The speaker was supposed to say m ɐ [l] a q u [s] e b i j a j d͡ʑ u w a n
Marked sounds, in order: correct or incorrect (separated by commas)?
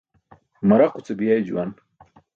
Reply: incorrect, incorrect